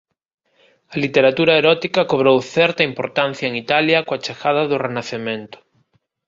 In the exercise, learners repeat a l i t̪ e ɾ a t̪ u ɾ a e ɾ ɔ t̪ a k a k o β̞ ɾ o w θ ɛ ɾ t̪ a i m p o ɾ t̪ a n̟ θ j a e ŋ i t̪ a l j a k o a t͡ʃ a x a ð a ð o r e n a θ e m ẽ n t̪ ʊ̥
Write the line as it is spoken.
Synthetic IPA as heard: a l i t̪ e ɾ a t̪ u ɾ a e ɾ ɔ t̪ i k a k o β̞ ɾ o w θ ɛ ɾ t̪ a i m p o ɾ t̪ a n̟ θ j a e ŋ i t̪ a l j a k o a t͡ʃ a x a ð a ð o r e n a θ e m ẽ n t̪ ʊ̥